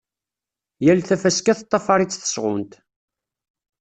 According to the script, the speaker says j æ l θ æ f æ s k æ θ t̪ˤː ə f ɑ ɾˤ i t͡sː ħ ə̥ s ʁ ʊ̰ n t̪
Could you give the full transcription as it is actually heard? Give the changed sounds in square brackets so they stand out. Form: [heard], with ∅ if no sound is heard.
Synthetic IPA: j æ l θ æ f æ s k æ θ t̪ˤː [ɑ] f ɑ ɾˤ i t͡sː [θ] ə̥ s ʁ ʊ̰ n t̪